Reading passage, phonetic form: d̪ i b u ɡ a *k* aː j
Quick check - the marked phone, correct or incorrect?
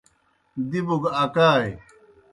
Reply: correct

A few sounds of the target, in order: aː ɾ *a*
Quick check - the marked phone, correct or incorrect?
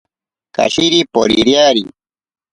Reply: incorrect: i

